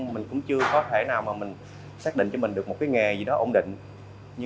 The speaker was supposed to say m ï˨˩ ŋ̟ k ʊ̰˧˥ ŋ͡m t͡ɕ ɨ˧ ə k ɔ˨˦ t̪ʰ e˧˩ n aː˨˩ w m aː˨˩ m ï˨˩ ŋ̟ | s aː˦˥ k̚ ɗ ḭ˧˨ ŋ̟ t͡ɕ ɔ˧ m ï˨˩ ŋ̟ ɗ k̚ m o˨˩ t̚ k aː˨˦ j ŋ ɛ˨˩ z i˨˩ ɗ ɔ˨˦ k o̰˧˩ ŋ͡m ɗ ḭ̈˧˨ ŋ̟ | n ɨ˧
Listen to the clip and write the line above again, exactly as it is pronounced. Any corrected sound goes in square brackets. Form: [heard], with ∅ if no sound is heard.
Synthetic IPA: m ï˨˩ ŋ̟ k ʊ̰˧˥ ŋ͡m t͡ɕ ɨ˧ ə k ɔ˨˦ t̪ʰ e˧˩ n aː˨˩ w m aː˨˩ m ï˨˩ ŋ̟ | s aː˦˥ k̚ ɗ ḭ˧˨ ŋ̟ t͡ɕ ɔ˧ m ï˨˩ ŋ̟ ɗ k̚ m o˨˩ t̚ k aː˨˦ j ŋ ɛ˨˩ z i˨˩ ɗ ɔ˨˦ [ʔ] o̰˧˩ ŋ͡m ɗ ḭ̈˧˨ ŋ̟ | [ɲ] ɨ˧